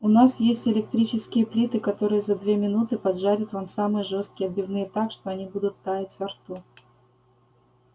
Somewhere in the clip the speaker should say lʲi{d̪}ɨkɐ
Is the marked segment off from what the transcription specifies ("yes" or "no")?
yes